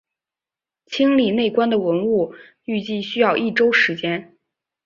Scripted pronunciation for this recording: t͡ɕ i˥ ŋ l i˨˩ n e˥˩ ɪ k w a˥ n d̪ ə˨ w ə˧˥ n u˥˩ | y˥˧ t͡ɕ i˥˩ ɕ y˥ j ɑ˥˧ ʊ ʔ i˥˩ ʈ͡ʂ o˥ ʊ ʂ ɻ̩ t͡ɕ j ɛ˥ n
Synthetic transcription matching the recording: t͡ɕʰ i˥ ŋ l i˨˩ n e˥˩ ɪ k w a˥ n d̪ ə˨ w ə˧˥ n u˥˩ | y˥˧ t͡ɕ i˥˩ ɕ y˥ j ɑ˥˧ ʊ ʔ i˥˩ ʈ͡ʂ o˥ ʊ ʂ ɻ̩ t͡ɕ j ɛ˥ n